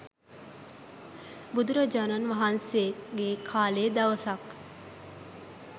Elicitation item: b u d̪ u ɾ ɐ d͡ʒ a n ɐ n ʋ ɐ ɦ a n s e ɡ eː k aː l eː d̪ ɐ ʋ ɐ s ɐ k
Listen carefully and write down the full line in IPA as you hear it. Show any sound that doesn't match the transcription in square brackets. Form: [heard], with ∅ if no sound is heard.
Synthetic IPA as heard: b u d̪ u ɾ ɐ d͡ʒ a n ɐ n ʋ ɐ ɦ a n s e ɡ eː [kʰ] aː l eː d̪ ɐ ʋ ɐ s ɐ k